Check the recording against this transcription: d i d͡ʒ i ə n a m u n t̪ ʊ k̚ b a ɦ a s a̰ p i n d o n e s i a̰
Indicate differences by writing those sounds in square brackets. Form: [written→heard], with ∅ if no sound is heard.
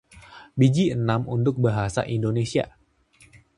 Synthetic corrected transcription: [d→b] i d͡ʒ i ə n a m u n t̪ ʊ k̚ b a ɦ a s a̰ [p→ʔ] i n d o n e s i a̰